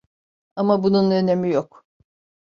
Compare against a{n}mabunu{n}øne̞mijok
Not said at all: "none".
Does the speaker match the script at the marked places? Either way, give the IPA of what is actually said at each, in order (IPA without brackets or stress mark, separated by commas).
none, n